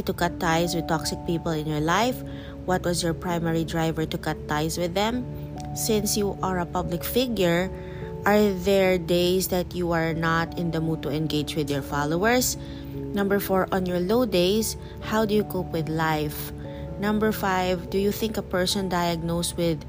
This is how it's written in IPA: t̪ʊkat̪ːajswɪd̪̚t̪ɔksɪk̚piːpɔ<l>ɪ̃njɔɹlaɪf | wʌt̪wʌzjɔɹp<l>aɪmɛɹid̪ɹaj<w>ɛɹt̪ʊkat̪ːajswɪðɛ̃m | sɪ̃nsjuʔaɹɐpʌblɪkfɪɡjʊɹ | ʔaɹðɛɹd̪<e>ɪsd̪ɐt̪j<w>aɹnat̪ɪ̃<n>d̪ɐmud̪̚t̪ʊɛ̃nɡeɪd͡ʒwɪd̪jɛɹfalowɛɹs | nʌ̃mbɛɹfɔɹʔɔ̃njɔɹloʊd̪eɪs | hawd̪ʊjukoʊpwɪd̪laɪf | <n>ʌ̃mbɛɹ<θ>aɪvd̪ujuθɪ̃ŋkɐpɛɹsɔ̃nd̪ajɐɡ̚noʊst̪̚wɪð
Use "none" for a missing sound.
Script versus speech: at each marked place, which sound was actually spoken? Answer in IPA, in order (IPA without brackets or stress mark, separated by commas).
l, ɹ, v, e, u, n, n, f